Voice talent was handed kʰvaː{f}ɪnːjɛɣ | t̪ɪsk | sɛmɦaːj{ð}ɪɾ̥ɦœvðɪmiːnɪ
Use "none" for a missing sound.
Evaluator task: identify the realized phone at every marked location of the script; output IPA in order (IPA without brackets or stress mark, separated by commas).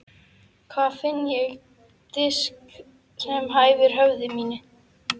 f, v